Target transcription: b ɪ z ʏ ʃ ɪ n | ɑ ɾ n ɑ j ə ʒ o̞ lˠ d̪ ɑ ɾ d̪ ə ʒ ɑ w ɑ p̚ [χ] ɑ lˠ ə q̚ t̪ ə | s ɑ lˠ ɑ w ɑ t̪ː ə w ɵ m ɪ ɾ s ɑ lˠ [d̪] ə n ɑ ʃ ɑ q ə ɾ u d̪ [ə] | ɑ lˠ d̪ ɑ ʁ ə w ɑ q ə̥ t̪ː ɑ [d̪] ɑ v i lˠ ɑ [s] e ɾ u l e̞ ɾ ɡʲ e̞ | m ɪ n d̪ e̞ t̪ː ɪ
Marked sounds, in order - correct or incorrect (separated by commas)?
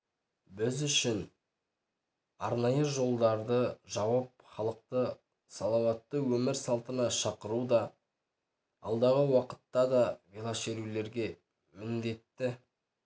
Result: correct, incorrect, incorrect, correct, incorrect